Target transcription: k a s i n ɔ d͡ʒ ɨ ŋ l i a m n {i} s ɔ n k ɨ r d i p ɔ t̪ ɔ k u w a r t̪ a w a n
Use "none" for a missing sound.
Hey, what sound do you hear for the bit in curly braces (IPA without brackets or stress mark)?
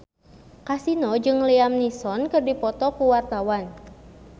i